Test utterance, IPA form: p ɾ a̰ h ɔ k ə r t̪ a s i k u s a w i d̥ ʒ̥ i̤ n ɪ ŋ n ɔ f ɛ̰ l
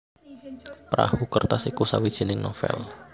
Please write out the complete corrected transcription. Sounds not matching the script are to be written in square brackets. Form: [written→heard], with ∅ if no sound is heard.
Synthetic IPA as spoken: p ɾ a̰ h [ɔ→u] k ə r t̪ a s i k u s a w i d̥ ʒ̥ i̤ n ɪ ŋ n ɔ f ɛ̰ l